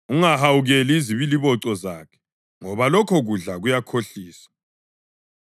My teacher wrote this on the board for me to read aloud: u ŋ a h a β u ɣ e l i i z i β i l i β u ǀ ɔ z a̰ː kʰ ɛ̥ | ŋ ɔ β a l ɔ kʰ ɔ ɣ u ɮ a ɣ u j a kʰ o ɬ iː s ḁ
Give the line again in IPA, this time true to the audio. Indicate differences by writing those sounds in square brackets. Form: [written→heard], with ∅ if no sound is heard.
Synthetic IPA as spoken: u ŋ a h a [β→w] u ɣ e l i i z i β i l i β [u→ɔ] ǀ ɔ z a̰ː kʰ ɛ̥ | ŋ ɔ β a l ɔ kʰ ɔ ɣ u ɮ a ɣ u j a kʰ o ɬ iː s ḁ